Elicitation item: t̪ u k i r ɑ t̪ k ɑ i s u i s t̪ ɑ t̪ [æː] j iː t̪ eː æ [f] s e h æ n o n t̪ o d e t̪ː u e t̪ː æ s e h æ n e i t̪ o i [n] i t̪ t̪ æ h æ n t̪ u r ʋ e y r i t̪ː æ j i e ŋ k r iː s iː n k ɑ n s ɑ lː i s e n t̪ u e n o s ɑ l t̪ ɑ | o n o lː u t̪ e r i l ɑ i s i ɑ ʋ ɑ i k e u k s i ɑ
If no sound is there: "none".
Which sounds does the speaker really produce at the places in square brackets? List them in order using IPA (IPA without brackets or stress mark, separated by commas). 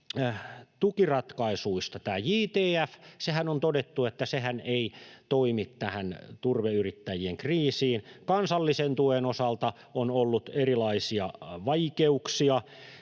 æː, f, m